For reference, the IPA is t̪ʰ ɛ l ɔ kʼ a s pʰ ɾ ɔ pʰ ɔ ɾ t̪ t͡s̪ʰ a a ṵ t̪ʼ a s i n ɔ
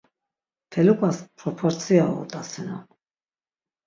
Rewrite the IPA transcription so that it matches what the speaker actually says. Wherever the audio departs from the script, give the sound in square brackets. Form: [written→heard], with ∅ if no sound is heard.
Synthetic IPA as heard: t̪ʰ ɛ l [ɔ→u] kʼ a s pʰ ɾ ɔ pʰ ɔ ɾ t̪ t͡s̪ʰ [a→i] a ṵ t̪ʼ a s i n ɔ